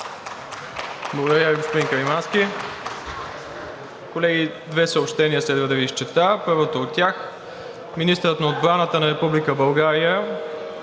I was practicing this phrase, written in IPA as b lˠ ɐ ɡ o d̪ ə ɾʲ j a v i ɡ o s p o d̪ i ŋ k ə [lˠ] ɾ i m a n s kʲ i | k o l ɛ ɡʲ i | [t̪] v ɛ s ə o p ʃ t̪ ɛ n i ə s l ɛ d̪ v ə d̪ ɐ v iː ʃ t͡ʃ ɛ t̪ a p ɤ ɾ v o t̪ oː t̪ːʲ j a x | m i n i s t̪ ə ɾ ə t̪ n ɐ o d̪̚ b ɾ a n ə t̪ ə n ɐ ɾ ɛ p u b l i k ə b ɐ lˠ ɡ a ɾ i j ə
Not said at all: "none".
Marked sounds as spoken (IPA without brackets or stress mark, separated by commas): none, d̪